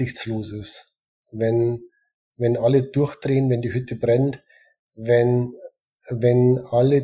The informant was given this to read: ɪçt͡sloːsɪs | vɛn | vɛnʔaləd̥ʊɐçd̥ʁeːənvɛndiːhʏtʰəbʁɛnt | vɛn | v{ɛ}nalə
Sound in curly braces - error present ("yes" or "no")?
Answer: no